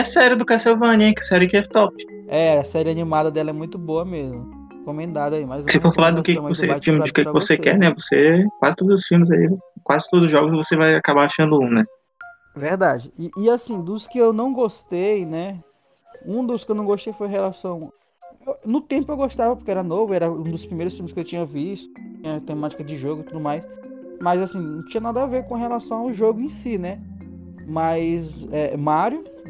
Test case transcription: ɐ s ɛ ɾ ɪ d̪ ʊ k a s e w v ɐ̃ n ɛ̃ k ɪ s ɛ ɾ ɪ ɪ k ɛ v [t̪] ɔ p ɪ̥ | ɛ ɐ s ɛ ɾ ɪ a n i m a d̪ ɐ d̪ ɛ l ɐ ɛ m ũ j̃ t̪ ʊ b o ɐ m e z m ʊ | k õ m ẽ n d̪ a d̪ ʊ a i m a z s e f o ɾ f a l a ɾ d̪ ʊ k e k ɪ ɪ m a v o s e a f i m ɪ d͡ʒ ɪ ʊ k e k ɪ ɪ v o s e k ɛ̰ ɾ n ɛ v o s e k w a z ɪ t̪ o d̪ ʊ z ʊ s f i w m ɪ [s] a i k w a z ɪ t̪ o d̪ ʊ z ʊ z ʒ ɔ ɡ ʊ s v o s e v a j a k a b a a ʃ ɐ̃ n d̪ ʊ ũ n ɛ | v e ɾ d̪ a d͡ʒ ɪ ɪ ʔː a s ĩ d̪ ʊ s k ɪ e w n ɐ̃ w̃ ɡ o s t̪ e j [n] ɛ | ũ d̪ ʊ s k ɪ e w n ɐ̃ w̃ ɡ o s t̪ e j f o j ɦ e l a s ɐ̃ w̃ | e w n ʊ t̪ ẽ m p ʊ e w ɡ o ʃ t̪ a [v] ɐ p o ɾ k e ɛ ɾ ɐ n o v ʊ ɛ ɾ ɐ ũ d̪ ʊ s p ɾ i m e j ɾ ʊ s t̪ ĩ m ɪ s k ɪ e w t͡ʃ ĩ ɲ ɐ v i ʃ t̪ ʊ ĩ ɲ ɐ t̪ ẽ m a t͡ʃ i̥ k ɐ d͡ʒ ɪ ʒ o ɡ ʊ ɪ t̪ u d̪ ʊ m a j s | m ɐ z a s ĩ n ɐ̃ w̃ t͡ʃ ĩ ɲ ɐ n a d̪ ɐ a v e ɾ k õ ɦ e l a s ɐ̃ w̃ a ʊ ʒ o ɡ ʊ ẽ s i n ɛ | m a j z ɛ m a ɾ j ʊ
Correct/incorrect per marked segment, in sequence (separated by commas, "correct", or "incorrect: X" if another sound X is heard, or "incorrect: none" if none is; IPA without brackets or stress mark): correct, incorrect: z, correct, correct